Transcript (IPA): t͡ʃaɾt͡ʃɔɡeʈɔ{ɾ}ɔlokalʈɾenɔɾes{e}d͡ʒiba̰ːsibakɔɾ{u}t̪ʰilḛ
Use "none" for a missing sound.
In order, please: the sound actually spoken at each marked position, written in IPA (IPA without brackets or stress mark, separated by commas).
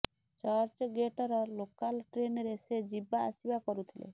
ɾ, e, u